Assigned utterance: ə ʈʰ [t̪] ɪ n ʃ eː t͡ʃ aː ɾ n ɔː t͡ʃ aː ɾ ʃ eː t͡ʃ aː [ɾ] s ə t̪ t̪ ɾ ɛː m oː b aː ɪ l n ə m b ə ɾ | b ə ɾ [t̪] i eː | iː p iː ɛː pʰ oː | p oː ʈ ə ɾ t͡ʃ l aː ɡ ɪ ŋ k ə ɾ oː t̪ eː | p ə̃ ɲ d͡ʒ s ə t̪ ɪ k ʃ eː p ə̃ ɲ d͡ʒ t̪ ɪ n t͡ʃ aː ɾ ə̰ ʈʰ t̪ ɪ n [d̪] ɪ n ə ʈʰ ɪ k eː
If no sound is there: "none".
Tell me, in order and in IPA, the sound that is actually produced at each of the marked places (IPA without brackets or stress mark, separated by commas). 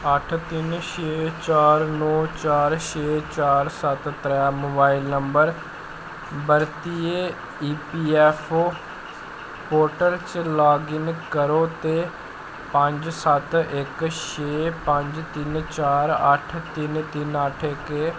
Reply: t̪, ɾ, t̪, t̪